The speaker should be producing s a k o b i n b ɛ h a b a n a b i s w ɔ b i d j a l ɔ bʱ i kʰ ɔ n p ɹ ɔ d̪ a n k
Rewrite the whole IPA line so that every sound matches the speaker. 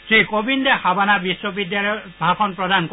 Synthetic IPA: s i k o b i n d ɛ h a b a n a b i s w ɔ b i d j a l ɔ bʱ a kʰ ɔ n p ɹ ɔ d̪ a n k